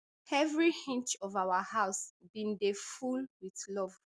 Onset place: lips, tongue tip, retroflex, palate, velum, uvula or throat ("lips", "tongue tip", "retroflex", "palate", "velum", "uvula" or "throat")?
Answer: lips